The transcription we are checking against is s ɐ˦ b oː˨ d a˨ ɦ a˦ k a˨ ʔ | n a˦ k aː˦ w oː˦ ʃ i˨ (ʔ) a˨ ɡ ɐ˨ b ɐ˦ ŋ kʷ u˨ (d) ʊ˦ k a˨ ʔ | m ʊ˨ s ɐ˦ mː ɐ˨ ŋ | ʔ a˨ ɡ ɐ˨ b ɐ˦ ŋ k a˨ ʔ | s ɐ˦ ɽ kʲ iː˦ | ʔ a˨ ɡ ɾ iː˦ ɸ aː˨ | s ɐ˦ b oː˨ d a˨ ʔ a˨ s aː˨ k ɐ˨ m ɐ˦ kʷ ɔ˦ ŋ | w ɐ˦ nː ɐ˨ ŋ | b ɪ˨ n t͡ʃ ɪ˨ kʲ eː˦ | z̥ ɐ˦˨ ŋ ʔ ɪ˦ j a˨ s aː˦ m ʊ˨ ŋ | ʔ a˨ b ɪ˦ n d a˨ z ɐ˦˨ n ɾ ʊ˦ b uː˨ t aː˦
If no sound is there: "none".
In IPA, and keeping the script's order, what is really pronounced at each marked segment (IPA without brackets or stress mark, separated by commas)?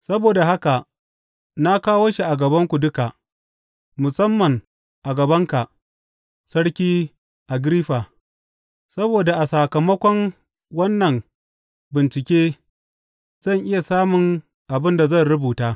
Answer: ʔ, d